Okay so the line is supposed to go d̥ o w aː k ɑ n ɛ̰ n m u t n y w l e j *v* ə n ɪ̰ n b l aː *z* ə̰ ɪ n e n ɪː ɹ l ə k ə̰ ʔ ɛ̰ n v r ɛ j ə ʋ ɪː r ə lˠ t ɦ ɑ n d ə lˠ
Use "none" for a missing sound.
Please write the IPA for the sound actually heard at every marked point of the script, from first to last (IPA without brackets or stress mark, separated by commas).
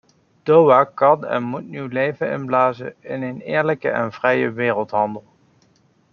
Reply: v, z